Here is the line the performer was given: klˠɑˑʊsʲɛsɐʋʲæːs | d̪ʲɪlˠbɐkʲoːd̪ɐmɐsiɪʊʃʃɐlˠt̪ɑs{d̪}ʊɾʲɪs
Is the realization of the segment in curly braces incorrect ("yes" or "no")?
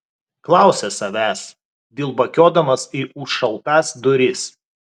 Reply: no